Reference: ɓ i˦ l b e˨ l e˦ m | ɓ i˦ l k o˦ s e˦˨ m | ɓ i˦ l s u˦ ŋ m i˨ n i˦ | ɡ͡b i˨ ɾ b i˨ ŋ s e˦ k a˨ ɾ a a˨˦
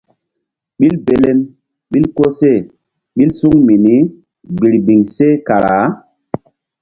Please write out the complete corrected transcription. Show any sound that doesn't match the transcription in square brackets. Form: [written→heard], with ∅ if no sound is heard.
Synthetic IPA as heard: ɓ i˦ l b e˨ l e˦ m | ɓ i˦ l k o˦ s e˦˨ [m→∅] | ɓ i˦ l s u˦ ŋ m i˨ n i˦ | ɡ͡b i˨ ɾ b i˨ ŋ s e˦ k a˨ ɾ a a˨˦